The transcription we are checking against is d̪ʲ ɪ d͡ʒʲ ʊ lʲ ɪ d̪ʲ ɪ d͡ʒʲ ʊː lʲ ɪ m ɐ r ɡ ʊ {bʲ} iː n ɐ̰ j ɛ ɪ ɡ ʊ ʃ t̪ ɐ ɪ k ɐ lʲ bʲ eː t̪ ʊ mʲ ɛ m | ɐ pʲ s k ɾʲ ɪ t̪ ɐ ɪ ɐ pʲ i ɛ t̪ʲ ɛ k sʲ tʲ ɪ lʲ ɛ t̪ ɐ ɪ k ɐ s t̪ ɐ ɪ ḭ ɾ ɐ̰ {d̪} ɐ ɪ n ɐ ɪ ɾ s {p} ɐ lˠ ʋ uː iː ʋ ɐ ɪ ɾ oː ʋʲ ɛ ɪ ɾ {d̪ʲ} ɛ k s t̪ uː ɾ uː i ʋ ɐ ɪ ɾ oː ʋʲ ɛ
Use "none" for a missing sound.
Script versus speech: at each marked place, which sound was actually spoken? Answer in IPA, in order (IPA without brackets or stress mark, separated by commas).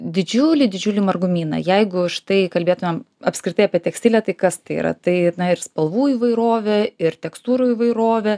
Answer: mʲ, t̪, p, t̪ʲ